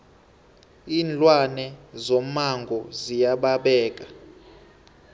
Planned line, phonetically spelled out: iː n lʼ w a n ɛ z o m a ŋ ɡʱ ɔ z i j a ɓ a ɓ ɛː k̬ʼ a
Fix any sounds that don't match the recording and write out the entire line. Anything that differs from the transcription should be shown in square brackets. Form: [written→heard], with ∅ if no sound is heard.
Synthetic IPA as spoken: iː n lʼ w a n ɛ z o m a ŋ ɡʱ ɔ z i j a ɓ a ɓ ɛː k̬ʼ a